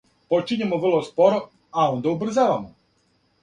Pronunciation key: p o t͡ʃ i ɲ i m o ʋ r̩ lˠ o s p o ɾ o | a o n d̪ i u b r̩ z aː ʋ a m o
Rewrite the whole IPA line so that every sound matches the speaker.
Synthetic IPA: p o t͡ʃ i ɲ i m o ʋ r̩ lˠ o s p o ɾ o | a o n d̪ a u b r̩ z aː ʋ a m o